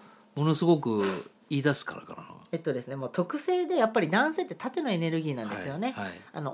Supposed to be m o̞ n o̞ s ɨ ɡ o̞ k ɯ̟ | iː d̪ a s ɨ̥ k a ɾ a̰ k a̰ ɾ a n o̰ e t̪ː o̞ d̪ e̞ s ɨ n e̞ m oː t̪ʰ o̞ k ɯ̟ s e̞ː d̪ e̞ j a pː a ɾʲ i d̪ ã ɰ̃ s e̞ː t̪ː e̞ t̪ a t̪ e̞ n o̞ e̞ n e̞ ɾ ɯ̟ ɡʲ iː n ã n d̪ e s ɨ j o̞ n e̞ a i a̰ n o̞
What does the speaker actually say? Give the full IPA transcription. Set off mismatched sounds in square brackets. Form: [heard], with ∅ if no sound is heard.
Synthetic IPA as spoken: m o̞ n o̞ s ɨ ɡ o̞ k ɯ̟ | iː d̪ a s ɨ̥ k a ɾ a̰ k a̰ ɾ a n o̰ e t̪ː o̞ d̪ e̞ s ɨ n e̞ m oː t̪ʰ o̞ k ɯ̟ s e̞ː d̪ e̞ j a pː a ɾʲ i d̪ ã ɰ̃ s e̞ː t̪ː e̞ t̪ a t̪ e̞ n o̞ e̞ n e̞ ɾ ɯ̟ ɡʲ iː n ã n d̪ e s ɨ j o̞ n e̞ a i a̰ n o̞